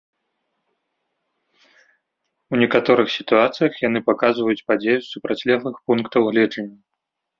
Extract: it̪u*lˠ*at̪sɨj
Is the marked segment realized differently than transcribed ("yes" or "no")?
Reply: yes